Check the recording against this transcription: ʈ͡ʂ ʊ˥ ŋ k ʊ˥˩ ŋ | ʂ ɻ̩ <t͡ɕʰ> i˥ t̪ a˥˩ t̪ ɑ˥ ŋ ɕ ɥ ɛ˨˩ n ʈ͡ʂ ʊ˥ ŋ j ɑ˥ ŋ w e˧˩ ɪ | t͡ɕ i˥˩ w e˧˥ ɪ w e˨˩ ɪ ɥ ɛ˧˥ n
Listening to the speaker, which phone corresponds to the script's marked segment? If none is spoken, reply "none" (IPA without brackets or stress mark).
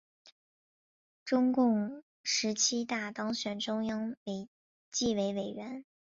t͡ɕʰ